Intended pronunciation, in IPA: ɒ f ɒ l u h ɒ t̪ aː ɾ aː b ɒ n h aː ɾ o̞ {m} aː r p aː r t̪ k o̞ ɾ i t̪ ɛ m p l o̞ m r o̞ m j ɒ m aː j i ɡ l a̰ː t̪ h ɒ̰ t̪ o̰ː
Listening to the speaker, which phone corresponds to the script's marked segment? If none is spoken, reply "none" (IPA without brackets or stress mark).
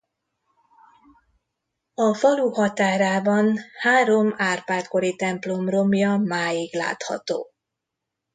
m